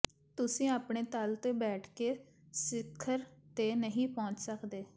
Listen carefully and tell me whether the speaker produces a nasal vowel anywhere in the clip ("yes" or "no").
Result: yes